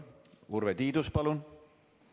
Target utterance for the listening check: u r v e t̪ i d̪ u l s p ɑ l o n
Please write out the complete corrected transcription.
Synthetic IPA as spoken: u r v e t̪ iː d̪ u s p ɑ l u n

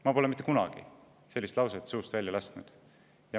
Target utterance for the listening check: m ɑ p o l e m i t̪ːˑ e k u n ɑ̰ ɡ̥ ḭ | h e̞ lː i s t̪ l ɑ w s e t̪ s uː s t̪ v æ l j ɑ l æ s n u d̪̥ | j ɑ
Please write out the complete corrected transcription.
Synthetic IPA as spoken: m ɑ p o l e m i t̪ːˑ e k u n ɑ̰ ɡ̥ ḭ | s e̞ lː i s t̪ l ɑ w s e t̪ s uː s t̪ v æ l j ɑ l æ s n u d̪̥ | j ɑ

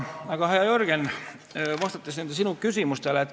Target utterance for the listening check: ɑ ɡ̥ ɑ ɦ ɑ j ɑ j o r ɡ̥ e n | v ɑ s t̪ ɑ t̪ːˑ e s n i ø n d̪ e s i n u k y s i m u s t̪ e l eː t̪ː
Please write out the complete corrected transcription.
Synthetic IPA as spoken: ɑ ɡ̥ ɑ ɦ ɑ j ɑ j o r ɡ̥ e n | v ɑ s t̪ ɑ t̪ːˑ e s n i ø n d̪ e s i n u k y s i m u s t̪ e l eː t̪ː

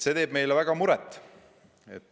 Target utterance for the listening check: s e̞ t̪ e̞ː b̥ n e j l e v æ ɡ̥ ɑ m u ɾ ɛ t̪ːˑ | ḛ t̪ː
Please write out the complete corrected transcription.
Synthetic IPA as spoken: s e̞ t̪ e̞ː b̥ m e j l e v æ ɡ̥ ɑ m u ɾ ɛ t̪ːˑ | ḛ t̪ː

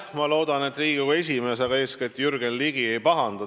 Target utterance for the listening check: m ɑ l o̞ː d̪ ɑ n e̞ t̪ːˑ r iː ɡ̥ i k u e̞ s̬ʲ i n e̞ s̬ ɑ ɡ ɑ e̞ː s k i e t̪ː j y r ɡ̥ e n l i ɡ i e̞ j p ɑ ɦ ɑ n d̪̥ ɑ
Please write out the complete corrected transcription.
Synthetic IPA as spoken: m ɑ l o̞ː d̪ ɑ n e̞ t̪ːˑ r iː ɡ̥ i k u e̞ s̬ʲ i m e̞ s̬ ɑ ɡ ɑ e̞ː s k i e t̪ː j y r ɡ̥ e n l i ɡ i e̞ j p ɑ ɦ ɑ n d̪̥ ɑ

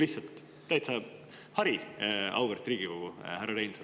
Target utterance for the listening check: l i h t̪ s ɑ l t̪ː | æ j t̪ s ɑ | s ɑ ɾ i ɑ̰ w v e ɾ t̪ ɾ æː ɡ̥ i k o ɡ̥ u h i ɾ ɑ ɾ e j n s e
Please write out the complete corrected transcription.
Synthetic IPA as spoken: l i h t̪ s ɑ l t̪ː | æ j t̪ s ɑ | h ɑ ɾ i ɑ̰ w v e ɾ t̪ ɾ iː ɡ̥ i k o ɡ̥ u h æ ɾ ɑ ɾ e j n s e

